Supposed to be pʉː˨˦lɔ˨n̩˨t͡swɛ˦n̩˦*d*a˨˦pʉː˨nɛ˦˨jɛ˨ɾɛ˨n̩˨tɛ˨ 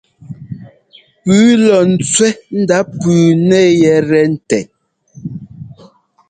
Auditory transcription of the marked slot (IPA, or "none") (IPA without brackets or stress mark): d